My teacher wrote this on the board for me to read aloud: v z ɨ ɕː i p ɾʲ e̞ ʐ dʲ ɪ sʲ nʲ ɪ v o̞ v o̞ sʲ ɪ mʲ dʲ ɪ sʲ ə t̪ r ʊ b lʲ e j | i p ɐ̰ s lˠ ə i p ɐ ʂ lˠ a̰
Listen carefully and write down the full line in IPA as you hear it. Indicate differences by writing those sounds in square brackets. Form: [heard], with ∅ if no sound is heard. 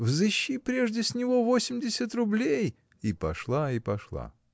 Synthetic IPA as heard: v z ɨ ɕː i p ɾʲ e̞ ʐ dʲ ɪ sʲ nʲ ɪ v o̞ v o̞ sʲ ɪ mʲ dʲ ɪ sʲ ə t̪ r ʊ b lʲ e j | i p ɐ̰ [ʂ] lˠ [a] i p ɐ ʂ lˠ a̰